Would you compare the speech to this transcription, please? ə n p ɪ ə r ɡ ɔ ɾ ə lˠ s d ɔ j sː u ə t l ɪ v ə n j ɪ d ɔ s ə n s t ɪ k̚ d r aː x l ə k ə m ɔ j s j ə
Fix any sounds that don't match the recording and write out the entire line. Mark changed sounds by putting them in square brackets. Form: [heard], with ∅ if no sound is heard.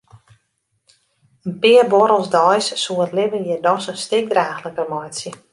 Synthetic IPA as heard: ə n p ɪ ə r [b] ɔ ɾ ə lˠ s d ɔ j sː u ə t l ɪ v ə n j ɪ d ɔ s ə n s t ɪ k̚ d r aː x l ə k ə m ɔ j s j ə

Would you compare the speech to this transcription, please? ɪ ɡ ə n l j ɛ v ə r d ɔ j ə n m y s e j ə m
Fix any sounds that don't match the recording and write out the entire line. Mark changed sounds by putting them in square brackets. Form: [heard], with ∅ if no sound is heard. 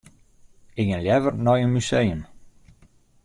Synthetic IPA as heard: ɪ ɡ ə n l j ɛ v ə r [n] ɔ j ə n m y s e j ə m

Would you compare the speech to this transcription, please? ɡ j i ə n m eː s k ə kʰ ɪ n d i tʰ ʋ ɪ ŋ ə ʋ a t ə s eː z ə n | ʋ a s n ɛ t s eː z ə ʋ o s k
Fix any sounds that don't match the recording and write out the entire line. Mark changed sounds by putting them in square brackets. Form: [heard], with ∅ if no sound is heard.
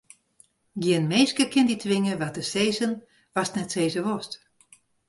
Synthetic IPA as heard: ɡ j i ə n m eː s k ə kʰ ɪ n d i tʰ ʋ ɪ ŋ ə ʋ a t ə s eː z ə n | ʋ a s n ɛ t s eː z ə ʋ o s [t]

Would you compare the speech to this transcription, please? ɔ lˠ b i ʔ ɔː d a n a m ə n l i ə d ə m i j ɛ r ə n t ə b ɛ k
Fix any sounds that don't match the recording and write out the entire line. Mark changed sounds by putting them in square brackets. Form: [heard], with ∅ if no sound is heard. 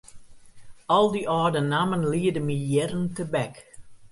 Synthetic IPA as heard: ɔ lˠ [d] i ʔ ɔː d [ə] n a m ə n l i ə d ə m i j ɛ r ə n t ə b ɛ k

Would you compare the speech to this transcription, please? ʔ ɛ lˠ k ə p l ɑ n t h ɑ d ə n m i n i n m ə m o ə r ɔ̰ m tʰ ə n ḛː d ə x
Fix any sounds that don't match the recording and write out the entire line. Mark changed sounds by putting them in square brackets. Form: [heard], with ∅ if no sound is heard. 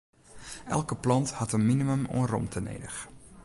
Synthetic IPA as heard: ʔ ɛ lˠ k ə p l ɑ n t h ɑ [t] ə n m i n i [∅] m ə m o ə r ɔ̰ m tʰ ə n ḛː d ə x

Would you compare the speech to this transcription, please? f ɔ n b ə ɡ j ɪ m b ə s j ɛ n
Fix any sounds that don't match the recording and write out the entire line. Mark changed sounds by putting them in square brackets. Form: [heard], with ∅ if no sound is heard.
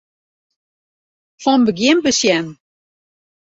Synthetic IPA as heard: f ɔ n b ə ɡ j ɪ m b ə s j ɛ n

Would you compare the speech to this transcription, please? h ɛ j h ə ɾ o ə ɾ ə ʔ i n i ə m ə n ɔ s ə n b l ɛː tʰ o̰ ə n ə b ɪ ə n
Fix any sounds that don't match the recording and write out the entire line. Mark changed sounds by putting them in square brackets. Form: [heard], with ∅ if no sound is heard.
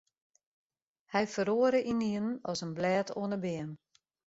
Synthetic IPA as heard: h ɛ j [f] ə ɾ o ə ɾ ə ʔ i n i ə [n] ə n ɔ s ə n b l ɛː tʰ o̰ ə n ə b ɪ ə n

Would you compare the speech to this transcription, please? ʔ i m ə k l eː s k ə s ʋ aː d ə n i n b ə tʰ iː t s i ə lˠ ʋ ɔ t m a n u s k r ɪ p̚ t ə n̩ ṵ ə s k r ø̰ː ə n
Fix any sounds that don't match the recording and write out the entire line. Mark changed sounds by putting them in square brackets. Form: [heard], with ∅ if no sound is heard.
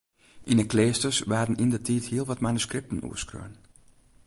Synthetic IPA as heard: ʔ i [n] ə k l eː s [t] ə s ʋ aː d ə n i n [d] ə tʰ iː t [h] i ə lˠ ʋ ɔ t m a n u s k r ɪ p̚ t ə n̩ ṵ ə s k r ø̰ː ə n

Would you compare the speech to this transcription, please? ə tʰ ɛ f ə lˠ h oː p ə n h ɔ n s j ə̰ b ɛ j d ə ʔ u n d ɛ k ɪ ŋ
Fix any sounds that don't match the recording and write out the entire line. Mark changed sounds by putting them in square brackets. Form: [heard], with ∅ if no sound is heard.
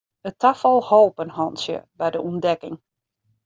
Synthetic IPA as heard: ə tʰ [a] f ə lˠ h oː p ə n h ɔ n s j ə̰ b ɛ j d ə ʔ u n d ɛ k ɪ ŋ

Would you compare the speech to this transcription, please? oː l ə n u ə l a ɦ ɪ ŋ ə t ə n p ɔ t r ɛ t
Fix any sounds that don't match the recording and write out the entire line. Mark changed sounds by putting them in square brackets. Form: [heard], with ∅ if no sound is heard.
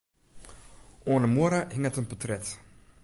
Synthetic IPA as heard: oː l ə [m] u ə [ɾ] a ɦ ɪ ŋ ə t ə n p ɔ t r ɛ t

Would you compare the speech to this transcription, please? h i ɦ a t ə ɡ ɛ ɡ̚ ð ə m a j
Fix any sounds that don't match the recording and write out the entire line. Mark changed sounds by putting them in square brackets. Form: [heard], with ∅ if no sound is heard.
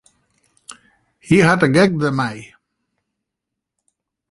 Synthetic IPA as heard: h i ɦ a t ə ɡ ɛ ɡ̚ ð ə m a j

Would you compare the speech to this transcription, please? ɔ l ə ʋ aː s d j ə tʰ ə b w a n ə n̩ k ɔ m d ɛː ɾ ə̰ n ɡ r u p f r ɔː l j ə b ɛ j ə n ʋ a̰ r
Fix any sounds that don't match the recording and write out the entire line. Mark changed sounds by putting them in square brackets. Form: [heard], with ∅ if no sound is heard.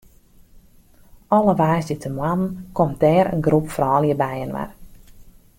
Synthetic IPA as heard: ɔ l ə ʋ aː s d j ə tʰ ə [m] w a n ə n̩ k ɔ m d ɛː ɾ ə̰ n ɡ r u p f r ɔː l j ə b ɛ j ə n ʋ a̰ r

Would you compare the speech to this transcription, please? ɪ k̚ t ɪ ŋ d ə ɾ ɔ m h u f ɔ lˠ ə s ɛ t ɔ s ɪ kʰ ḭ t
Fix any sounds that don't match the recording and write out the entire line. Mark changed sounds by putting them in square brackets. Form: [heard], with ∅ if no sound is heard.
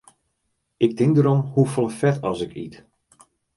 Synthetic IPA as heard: ɪ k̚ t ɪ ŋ d ə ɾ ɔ m h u f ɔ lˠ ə [f] ɛ t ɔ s ɪ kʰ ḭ t

